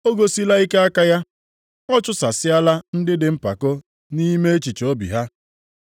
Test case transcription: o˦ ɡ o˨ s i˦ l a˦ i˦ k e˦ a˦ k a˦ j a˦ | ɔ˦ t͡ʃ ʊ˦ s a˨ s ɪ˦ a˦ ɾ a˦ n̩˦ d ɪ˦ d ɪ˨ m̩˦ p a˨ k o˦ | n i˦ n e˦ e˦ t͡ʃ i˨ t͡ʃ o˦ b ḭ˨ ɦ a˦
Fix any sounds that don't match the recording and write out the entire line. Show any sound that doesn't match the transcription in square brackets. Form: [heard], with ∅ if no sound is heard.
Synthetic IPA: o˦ ɡ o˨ s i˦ l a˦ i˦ k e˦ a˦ k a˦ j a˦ | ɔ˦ t͡ʃ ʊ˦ s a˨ s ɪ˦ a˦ [l] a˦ n̩˦ d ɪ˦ d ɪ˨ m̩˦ p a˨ k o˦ | n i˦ [m] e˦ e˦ t͡ʃ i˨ t͡ʃ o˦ b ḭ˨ ɦ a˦